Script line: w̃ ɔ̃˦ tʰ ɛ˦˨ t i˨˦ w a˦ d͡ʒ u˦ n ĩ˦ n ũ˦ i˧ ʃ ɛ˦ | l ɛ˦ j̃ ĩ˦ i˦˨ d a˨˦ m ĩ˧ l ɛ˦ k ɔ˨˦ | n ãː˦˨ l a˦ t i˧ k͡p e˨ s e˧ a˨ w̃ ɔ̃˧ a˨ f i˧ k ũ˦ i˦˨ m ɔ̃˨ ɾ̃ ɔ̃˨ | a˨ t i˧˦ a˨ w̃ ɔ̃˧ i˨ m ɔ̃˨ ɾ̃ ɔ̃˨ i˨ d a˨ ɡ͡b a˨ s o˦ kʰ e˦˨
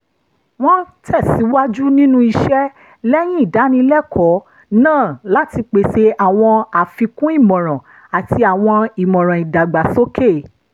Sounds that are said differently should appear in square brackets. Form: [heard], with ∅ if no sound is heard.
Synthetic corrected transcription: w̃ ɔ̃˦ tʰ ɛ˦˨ [s] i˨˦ w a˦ d͡ʒ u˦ n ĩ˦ n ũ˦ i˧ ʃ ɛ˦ | l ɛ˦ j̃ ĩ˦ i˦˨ d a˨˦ [n] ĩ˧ l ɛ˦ k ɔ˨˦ | n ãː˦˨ l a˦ t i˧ k͡p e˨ s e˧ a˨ w̃ ɔ̃˧ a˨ f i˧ k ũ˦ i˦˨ m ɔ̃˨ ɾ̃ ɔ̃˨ | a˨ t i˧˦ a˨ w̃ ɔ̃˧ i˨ m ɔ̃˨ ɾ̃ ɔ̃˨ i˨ d a˨ ɡ͡b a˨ s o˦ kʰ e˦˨